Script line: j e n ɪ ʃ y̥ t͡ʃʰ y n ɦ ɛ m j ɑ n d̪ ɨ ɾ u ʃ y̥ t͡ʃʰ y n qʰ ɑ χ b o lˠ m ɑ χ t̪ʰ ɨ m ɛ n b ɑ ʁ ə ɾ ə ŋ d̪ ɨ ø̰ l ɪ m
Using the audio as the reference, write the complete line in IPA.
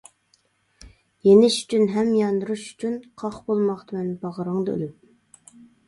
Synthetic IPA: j e n ɪ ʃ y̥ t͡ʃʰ y n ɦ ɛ m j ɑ n d̪ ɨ ɾ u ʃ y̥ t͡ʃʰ y n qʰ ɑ χ b o lˠ m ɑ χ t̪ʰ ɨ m ɛ n b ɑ ʁ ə ɾ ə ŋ d̪ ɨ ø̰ l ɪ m